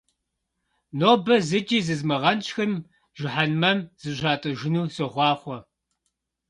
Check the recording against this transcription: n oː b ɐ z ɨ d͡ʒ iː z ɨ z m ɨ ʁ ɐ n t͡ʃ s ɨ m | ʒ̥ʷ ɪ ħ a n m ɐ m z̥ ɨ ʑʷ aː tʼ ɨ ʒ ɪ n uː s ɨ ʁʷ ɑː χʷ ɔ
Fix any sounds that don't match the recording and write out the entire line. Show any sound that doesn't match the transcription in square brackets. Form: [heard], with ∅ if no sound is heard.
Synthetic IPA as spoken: n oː b ɐ z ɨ d͡ʒ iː z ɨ z m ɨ ʁ ɐ n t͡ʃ [x] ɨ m | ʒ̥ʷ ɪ ħ a n m ɐ m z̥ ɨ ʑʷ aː tʼ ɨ ʒ ɪ n uː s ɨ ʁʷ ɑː χʷ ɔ